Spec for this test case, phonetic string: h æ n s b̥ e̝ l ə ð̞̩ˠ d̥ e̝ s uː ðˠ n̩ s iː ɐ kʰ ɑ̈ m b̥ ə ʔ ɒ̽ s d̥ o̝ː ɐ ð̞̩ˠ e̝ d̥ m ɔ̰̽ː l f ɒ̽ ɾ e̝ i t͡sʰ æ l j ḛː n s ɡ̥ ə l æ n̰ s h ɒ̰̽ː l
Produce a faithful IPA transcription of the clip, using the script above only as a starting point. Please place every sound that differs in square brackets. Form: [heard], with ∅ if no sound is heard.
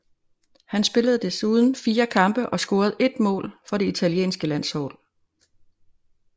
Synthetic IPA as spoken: h æ n s b̥ e̝ l ə ð̞̩ˠ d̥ e̝ s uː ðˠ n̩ [f] iː ɐ kʰ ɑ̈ m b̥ ə ʔ ɒ̽ s [ɡ̥] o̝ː ɐ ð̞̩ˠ e̝ d̥ m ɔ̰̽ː l f ɒ̽ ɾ e̝ i t͡sʰ æ l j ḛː n s ɡ̥ ə l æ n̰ s h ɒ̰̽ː l